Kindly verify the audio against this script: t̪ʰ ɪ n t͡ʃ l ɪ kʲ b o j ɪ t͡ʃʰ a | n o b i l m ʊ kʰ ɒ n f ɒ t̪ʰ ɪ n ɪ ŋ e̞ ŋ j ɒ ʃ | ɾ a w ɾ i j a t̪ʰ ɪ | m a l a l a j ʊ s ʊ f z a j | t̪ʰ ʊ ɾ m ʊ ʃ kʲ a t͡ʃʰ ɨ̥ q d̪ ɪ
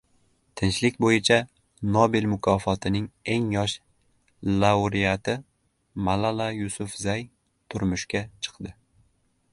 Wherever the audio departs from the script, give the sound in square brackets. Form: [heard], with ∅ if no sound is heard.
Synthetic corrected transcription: t̪ʰ ɪ n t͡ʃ l ɪ kʲ b o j ɪ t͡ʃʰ a | n o b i l m ʊ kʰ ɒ [∅] f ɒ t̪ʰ ɪ n ɪ ŋ e̞ ŋ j ɒ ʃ | [l] a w ɾ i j a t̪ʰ ɪ | m a l a l a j ʊ s ʊ f z a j | t̪ʰ ʊ ɾ m ʊ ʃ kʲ a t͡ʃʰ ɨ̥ q d̪ ɪ